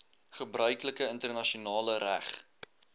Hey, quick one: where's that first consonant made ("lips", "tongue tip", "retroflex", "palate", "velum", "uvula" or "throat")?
uvula